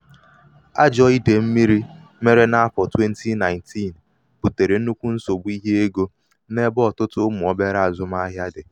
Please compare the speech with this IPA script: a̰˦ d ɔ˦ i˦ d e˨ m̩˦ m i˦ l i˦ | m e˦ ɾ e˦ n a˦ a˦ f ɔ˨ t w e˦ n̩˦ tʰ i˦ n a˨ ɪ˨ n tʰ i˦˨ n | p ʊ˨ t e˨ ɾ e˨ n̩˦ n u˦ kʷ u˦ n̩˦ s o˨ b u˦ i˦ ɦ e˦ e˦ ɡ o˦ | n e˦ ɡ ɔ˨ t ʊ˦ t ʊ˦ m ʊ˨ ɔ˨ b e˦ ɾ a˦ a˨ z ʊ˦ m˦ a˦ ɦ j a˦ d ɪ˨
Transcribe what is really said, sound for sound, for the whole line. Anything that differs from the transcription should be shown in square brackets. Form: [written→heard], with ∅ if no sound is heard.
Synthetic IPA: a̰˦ [d→d͡ʒ] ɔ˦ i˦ d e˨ m̩˦ m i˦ [l→ɾ] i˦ | m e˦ ɾ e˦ n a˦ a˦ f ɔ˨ t w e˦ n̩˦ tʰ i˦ n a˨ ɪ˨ n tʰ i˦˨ n | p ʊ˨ t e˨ ɾ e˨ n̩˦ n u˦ kʷ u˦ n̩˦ s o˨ b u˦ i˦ ɦ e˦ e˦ ɡ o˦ | n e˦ [ɡ→b] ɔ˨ t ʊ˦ t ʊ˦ m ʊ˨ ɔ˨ b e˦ ɾ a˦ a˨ z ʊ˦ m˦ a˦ ɦ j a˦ d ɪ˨